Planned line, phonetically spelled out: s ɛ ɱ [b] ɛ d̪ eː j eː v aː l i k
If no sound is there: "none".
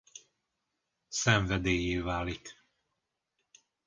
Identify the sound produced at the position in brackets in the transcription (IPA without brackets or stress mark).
v